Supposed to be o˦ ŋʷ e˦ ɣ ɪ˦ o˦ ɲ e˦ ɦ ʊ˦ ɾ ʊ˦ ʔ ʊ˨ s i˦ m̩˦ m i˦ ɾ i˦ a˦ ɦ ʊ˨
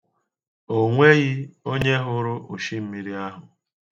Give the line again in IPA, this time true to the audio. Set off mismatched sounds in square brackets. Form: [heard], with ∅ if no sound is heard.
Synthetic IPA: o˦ ŋʷ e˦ ɣ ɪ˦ o˦ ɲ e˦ ɦ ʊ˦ ɾ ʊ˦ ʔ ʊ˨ [ʃ] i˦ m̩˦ m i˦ ɾ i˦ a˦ ɦ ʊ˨